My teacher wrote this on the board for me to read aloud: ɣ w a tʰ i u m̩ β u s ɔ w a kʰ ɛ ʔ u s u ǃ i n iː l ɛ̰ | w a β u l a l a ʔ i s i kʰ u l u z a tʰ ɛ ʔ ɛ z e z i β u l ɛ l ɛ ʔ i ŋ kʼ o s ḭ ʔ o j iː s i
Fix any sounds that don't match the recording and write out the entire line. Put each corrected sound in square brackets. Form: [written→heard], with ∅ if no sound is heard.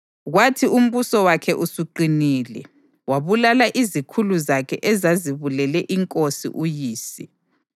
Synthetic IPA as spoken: ɣ w a tʰ i u m̩ β u s ɔ w a kʰ ɛ ʔ u s u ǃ i n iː l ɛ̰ | w a β u l a l a ʔ i [s→z] i kʰ u l u z a [tʰ→kʰ] ɛ ʔ ɛ z [e→a] z i β u l ɛ l ɛ ʔ i ŋ kʼ o s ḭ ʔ [o→u] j iː s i